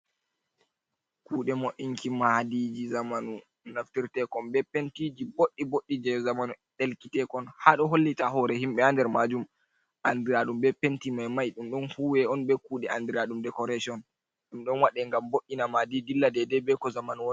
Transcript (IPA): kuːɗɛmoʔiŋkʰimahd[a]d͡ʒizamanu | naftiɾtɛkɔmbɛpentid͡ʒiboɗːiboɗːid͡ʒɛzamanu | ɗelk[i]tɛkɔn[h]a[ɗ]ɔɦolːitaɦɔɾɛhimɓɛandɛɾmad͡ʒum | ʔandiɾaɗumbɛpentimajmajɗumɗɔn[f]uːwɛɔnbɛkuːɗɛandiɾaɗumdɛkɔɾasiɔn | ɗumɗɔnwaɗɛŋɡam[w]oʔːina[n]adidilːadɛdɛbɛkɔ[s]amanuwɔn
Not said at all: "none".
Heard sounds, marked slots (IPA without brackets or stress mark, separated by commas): i, i, h, ɗ, h, b, m, z